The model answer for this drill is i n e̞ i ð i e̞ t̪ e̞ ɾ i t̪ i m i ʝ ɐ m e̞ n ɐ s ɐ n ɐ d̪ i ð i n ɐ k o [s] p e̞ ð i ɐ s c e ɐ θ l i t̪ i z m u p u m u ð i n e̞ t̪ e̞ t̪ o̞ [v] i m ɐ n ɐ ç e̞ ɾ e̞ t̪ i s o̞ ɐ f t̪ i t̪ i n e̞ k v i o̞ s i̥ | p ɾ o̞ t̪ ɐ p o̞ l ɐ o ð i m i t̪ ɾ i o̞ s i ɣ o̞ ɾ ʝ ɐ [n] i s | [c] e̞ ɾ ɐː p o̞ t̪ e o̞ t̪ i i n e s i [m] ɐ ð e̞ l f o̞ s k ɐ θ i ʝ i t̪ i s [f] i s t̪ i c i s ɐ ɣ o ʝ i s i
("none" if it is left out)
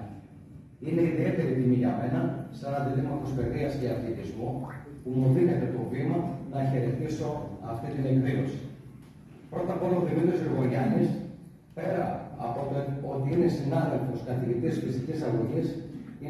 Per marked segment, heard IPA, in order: s, v, n, p, n, f

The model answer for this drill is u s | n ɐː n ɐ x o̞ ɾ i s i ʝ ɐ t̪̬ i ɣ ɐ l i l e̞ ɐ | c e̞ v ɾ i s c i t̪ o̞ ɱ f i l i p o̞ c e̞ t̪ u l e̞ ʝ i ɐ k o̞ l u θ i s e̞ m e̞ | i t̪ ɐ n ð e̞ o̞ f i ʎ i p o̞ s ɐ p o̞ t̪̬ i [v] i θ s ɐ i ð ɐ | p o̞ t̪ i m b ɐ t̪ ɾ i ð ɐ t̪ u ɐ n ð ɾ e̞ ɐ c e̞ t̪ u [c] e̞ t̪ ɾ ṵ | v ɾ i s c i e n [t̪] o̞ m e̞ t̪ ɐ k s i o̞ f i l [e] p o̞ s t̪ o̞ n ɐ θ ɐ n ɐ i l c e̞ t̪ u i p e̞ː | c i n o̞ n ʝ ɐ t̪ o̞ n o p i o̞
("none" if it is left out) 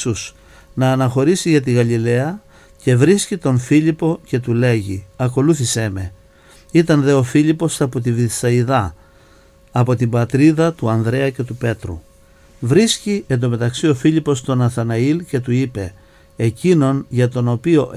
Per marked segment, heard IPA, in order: v, p, d̪, i

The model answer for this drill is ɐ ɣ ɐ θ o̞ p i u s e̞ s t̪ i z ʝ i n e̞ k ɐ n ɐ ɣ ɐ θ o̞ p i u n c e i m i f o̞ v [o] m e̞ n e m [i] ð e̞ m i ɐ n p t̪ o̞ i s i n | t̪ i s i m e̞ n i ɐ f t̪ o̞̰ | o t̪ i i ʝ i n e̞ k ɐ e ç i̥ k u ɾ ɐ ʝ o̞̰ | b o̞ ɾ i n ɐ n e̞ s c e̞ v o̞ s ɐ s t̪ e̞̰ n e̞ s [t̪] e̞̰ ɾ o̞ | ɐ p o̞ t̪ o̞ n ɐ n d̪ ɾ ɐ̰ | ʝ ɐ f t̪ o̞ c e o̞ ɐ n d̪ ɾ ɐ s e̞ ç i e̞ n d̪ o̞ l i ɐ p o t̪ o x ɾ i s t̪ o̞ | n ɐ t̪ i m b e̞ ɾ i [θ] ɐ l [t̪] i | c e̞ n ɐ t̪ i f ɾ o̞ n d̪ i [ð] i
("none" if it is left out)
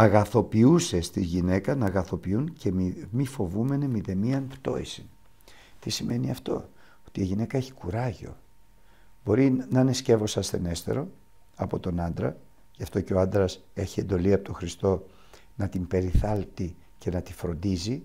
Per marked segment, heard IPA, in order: u, i, t̪, θ, t̪, z

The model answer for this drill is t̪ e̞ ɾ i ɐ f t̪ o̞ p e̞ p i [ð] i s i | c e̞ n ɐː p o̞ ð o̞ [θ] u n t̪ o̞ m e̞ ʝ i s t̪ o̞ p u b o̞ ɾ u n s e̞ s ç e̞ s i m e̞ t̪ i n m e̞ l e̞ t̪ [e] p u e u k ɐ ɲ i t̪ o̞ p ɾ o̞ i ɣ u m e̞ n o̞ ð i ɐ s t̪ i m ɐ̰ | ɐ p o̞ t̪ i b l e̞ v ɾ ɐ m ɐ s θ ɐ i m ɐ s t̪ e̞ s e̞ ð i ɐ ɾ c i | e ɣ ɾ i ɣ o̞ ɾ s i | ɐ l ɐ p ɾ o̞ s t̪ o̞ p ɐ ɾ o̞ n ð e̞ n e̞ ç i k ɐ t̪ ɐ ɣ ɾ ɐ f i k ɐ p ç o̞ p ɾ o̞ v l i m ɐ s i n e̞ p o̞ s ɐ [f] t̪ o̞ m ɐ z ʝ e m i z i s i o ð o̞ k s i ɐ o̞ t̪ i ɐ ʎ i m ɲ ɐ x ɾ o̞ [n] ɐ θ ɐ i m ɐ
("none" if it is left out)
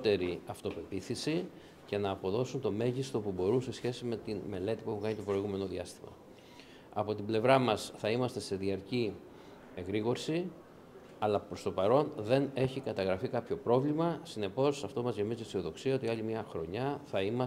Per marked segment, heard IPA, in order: θ, s, i, f, ɲ

